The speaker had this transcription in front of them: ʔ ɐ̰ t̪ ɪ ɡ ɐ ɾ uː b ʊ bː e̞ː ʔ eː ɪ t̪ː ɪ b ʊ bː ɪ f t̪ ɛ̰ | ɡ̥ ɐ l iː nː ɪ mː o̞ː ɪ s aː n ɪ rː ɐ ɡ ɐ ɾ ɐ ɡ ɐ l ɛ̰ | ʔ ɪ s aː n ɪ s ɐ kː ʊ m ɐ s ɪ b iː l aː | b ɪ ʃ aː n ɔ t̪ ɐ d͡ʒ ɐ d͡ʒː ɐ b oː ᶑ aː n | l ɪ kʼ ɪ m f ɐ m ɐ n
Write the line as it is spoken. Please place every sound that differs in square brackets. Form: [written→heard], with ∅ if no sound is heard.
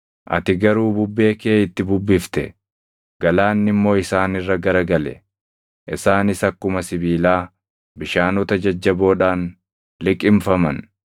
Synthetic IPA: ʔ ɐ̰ t̪ ɪ ɡ ɐ ɾ uː b ʊ bː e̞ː [ʔ→k] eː ɪ t̪ː ɪ b ʊ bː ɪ f t̪ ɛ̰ | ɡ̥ ɐ l [iː→aː] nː ɪ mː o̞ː ɪ s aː n ɪ rː ɐ ɡ ɐ ɾ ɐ ɡ ɐ l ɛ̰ | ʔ ɪ s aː n ɪ s ɐ kː ʊ m ɐ s ɪ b iː l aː | b ɪ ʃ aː n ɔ t̪ ɐ d͡ʒ ɐ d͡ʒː ɐ b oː ᶑ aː n | l ɪ kʼ ɪ m f ɐ m ɐ n